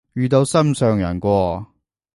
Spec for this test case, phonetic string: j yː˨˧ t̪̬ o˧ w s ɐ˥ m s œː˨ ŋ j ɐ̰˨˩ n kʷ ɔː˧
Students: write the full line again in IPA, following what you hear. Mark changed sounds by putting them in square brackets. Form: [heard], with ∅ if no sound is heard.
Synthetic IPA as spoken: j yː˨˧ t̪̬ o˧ w s ɐ˥ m s œː˨ ŋ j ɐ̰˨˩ n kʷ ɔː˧